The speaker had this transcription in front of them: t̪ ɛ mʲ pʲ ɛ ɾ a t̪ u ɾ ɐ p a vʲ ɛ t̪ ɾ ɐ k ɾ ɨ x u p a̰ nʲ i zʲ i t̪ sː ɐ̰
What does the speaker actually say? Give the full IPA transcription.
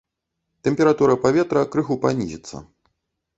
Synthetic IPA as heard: t̪ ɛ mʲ pʲ ɛ ɾ a t̪ u ɾ ɐ p a vʲ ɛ t̪ ɾ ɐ k ɾ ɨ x u p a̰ nʲ i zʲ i t̪ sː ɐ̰